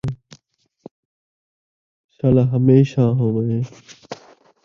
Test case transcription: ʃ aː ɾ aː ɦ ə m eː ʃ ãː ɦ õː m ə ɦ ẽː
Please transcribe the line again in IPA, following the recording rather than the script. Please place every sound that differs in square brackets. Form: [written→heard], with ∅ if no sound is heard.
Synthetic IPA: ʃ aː [ɾ→l] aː ɦ ə m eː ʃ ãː ɦ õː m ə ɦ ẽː